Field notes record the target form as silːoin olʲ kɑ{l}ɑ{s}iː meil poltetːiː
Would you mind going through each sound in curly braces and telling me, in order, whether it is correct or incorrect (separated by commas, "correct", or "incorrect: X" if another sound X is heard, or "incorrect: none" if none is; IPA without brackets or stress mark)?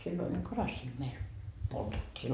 incorrect: r, incorrect: sː